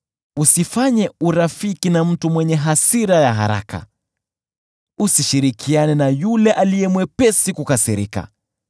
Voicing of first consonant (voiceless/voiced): voiceless